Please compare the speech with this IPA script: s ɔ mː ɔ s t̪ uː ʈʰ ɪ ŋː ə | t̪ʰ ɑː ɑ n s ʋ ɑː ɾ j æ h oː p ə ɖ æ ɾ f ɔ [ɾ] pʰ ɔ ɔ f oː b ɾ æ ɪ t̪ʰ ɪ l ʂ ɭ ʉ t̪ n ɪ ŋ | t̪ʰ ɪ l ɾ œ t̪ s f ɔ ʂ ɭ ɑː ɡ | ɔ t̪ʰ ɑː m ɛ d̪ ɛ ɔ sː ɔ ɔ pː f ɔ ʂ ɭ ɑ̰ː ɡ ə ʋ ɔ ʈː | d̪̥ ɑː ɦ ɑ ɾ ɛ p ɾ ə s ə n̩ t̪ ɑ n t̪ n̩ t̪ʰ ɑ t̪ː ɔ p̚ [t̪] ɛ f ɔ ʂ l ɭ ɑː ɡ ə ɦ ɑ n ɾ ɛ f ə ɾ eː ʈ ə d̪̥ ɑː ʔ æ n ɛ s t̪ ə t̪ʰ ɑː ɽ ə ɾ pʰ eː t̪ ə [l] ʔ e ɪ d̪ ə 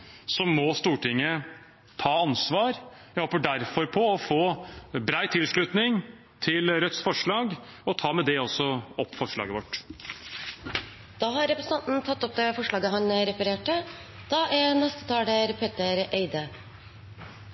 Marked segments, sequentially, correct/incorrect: correct, incorrect: d̪, incorrect: ɾ

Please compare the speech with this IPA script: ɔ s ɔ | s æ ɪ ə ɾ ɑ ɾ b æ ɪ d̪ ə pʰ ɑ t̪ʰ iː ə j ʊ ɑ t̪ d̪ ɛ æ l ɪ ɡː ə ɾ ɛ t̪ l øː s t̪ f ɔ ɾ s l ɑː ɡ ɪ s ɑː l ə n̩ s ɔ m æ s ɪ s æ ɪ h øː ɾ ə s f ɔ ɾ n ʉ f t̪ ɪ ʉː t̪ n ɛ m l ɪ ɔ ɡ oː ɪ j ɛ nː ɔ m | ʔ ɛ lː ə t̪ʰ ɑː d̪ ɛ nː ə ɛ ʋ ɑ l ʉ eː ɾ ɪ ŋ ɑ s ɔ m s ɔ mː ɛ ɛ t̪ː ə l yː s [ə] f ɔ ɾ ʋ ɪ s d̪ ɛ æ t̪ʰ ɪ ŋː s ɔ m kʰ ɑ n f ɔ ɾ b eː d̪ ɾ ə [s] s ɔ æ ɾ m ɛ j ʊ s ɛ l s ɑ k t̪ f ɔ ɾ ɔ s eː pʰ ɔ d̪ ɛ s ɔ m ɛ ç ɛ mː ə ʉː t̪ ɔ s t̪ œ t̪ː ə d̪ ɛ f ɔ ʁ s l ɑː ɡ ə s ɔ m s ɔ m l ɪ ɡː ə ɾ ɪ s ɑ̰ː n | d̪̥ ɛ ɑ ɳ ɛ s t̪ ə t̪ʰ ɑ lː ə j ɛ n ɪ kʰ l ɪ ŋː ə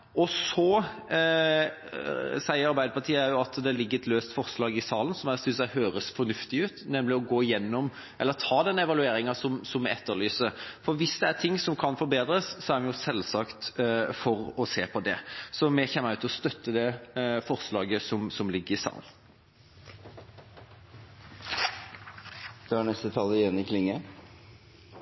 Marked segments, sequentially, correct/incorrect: correct, correct

